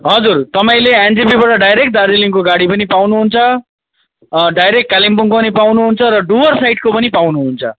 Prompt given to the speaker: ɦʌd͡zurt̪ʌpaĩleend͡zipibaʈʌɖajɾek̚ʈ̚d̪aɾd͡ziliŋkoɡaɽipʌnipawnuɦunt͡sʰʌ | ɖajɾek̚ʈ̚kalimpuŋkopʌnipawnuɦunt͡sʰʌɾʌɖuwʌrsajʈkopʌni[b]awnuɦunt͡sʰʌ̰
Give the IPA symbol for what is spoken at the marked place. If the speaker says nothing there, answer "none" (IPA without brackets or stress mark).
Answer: p